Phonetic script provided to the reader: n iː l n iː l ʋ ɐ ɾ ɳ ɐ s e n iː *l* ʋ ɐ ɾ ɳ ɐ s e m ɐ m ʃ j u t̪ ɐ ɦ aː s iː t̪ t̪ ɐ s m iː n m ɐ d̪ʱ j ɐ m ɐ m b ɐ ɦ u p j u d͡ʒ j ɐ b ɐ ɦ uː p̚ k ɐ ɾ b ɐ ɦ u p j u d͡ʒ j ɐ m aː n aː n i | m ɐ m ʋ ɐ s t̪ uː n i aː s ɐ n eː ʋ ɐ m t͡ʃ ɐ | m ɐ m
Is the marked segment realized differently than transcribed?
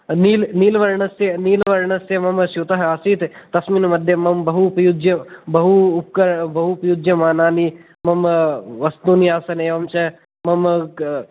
no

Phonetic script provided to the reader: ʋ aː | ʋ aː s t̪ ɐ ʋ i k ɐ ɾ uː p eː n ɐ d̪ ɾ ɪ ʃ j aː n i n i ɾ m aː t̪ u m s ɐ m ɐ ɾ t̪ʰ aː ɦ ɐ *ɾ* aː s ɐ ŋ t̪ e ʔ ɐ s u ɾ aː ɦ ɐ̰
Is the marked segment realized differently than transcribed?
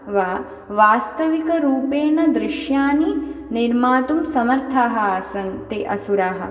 yes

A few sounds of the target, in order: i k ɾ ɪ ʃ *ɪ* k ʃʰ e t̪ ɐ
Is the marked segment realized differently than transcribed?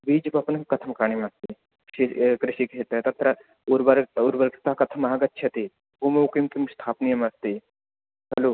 yes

